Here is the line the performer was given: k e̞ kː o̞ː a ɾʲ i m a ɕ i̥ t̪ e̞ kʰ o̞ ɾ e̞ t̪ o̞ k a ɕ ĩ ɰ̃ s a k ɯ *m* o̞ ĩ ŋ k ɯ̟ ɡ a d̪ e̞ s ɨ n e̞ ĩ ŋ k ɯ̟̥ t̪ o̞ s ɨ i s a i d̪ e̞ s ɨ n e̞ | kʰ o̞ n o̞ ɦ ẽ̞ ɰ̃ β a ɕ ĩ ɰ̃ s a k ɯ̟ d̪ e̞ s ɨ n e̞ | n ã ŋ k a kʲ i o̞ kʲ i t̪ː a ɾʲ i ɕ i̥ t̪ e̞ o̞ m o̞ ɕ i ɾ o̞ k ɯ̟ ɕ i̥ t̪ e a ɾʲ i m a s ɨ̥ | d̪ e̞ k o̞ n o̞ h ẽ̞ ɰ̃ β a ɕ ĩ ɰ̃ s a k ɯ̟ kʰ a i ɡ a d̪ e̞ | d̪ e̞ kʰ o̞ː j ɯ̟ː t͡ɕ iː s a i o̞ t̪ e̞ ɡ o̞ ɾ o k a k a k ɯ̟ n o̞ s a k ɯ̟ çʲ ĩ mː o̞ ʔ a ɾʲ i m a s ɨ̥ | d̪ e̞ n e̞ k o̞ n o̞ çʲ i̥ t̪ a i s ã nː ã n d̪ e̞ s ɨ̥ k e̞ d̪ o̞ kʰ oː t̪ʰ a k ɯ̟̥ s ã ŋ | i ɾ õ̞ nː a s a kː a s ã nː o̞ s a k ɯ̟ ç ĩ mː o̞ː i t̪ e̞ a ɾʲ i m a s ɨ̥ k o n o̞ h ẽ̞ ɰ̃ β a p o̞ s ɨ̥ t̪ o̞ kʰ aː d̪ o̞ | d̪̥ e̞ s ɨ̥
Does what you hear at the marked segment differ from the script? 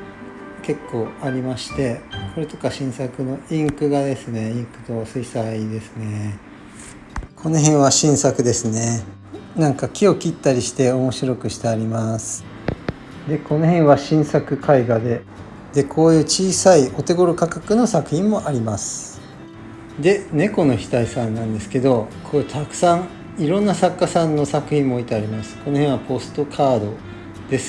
yes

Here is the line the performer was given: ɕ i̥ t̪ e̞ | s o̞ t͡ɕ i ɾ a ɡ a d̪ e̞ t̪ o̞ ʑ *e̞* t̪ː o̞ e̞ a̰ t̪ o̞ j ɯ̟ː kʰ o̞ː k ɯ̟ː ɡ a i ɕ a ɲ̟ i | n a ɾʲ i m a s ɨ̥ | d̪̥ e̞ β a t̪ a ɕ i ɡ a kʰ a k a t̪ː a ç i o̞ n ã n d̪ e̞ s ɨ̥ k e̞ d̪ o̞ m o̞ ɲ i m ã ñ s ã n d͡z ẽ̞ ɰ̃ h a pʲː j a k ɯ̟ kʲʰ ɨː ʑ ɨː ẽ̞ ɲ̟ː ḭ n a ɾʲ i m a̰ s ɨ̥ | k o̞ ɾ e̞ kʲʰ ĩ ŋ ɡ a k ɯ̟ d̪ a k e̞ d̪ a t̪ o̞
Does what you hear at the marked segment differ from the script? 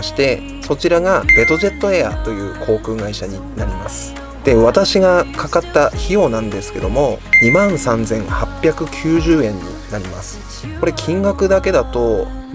no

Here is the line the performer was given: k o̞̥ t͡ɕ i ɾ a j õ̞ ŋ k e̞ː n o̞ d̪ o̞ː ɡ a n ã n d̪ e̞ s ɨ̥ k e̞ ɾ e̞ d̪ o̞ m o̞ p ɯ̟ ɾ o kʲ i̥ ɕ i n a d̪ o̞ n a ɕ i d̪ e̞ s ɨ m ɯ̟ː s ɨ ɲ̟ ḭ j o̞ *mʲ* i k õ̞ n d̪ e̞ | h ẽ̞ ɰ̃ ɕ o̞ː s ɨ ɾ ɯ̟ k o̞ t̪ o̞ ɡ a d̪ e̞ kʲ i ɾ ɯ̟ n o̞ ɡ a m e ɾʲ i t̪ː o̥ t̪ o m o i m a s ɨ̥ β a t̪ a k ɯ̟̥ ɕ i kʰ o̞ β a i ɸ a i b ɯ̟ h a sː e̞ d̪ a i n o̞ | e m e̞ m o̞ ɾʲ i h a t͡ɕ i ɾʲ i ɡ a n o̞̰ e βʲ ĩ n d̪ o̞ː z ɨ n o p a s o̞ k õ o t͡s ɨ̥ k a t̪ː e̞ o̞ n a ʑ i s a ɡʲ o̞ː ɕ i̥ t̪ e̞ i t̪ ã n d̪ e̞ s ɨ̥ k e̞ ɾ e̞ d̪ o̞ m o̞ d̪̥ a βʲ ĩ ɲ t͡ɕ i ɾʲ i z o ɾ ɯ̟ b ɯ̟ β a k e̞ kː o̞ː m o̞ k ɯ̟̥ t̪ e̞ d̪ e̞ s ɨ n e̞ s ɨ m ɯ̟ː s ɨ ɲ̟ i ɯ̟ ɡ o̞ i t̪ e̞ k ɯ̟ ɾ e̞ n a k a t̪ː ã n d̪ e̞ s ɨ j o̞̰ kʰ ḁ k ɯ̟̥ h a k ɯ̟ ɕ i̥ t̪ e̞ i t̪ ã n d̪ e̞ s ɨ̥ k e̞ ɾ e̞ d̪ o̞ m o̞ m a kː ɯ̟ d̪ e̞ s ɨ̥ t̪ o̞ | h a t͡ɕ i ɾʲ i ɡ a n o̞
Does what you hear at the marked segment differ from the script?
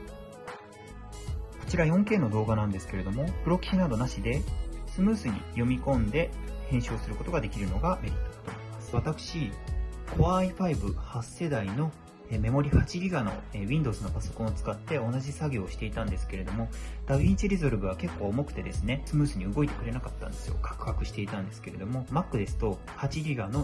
no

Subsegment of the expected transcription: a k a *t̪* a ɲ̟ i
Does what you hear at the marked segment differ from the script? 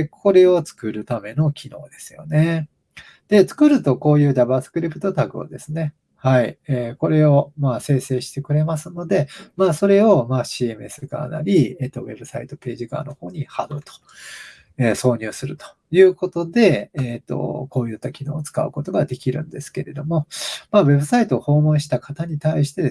no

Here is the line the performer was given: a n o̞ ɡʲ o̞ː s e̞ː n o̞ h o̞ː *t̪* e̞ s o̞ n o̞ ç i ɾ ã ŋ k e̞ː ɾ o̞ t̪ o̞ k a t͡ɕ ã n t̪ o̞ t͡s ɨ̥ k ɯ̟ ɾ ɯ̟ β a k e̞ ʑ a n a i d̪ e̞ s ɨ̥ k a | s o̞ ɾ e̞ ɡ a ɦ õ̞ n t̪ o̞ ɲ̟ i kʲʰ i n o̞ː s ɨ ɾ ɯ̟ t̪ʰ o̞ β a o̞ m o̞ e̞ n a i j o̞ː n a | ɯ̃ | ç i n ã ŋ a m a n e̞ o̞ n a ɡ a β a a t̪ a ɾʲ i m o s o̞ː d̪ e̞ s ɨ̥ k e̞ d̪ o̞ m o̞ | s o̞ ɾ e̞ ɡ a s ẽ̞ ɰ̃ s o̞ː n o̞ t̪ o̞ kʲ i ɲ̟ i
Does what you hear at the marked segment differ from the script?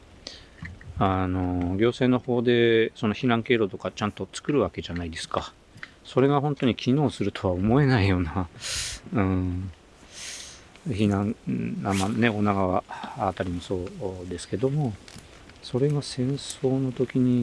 yes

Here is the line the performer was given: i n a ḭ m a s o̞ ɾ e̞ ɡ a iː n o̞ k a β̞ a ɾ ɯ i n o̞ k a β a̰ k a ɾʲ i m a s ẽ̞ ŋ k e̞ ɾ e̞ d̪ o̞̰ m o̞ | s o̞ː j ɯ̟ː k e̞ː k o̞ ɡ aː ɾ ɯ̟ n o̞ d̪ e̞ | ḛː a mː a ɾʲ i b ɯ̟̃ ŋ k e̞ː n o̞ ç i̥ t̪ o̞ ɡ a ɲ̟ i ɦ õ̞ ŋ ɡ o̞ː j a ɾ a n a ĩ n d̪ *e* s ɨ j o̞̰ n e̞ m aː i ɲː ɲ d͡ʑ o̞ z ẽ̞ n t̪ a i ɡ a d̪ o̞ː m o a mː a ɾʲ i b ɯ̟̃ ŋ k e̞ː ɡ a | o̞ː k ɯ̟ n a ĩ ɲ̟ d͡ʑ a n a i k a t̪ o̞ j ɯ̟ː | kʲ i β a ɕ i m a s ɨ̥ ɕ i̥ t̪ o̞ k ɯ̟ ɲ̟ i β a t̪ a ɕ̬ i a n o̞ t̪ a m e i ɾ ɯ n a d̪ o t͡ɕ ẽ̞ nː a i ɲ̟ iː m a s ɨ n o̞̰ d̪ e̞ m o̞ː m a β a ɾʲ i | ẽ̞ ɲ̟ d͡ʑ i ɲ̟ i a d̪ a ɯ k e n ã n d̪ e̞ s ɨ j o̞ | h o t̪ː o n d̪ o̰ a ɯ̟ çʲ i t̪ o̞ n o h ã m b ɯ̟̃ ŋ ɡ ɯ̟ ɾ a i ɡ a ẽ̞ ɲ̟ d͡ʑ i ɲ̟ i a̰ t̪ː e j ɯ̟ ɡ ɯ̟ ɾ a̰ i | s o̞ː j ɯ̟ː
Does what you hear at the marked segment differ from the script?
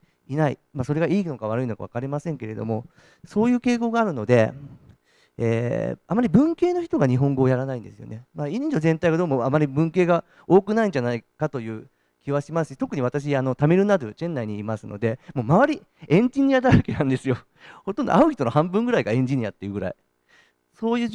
no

